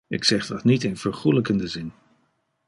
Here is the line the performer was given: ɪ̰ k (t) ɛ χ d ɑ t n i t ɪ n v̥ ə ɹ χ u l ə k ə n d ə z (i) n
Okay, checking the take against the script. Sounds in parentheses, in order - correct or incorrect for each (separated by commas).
incorrect, incorrect